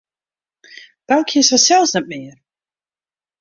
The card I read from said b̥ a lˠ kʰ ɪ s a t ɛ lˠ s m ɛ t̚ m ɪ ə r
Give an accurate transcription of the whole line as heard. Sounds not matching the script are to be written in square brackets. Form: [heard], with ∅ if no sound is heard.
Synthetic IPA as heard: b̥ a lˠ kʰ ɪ s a [s] ɛ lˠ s [n] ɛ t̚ m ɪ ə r